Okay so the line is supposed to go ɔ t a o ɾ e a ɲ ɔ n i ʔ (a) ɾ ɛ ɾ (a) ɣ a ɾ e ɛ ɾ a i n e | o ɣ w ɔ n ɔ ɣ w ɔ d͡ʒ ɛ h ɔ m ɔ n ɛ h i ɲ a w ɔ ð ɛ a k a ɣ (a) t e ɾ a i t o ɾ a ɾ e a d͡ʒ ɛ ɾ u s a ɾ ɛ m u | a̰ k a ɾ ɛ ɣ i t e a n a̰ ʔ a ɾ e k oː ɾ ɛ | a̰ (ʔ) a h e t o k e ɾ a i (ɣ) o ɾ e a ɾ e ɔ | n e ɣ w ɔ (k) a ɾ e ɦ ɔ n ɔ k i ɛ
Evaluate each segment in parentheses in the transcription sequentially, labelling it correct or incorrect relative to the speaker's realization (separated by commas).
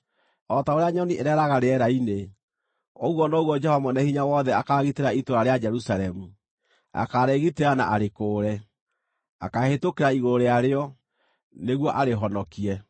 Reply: incorrect, correct, incorrect, incorrect, correct, incorrect